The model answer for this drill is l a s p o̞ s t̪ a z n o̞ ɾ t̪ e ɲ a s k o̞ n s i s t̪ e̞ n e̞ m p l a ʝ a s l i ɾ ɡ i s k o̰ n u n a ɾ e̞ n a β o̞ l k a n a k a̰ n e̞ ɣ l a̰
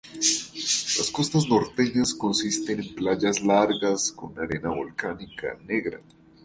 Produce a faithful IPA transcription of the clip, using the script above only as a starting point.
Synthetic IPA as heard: l a s k o̞ s t̪ a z n o̞ ɾ t̪ e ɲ a s k o̞ n s i s t̪ e̞ n e̞ m p l a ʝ a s l a ɾ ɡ a s k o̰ n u n a ɾ e̞ n a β o̞ l k a n i k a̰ n e̞ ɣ ɾ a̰